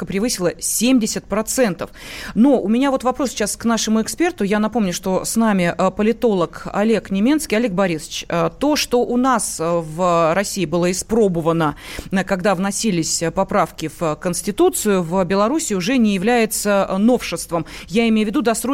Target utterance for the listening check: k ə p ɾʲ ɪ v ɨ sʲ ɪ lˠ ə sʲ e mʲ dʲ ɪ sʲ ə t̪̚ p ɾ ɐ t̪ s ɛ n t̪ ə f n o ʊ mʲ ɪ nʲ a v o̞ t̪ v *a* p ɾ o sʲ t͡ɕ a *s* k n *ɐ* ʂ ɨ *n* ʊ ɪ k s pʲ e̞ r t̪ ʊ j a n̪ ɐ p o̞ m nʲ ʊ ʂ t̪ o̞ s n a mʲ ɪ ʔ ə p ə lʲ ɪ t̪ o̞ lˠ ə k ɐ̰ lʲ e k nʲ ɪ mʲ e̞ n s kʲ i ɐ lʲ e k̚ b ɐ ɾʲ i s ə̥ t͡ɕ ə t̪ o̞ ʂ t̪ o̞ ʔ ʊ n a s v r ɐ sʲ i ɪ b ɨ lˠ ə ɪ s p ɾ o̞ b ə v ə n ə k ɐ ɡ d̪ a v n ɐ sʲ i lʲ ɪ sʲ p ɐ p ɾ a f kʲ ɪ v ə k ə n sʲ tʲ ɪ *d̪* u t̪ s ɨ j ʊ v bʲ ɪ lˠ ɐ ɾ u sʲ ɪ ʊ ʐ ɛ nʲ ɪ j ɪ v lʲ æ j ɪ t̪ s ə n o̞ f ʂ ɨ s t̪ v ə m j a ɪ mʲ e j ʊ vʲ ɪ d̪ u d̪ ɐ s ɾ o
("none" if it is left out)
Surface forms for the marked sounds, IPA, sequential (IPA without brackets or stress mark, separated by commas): ɐ, s, a, m, t̪